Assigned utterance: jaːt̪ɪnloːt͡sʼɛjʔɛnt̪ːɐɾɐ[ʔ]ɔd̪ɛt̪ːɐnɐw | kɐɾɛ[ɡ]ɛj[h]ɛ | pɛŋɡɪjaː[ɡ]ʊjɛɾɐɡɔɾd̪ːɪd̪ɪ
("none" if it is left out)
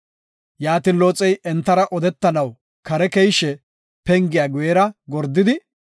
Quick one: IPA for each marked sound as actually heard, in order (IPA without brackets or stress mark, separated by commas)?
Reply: ʔ, k, ʃ, ɡ